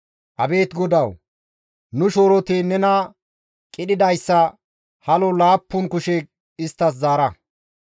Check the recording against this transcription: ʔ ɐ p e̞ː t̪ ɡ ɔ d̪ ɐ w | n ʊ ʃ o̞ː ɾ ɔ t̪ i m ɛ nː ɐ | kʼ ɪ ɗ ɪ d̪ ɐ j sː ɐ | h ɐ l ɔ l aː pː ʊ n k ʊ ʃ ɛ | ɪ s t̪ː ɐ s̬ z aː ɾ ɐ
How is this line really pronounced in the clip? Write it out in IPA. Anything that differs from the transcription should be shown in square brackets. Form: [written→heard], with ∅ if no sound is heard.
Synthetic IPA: ʔ ɐ [p→b] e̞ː t̪ ɡ ɔ d̪ ɐ w | n ʊ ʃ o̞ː ɾ ɔ t̪ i [m→n] ɛ [nː→n] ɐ | kʼ ɪ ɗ ɪ d̪ ɐ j sː ɐ | h ɐ l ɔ l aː pː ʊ n k ʊ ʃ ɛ | ɪ s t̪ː ɐ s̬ z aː ɾ ɐ